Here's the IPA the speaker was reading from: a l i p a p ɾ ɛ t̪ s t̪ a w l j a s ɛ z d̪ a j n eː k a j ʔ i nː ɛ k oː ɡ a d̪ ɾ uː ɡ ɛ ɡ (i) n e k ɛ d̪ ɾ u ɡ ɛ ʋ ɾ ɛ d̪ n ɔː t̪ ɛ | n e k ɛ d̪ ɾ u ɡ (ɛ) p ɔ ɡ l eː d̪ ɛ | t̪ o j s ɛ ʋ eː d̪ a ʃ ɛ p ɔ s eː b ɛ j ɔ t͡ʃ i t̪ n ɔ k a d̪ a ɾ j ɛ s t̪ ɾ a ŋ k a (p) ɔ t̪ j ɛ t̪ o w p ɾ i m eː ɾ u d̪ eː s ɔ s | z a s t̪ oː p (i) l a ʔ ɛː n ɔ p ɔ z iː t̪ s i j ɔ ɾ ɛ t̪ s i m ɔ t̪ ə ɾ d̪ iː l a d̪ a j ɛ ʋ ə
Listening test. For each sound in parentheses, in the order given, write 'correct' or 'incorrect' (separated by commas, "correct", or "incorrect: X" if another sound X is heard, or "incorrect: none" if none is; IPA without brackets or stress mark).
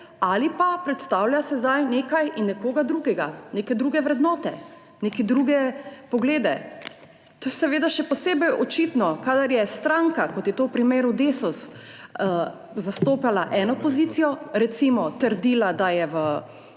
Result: incorrect: a, correct, incorrect: k, incorrect: a